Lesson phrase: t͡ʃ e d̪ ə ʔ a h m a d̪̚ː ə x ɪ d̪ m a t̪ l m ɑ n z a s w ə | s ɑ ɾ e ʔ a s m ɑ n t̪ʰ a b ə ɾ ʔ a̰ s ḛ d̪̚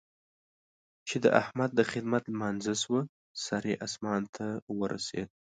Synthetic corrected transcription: t͡ʃ e d̪ ə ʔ a h m a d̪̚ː ə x ɪ d̪ m a t̪ l m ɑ n z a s w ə | s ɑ ɾ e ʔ a s m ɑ n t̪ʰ a w ə ɾ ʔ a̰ s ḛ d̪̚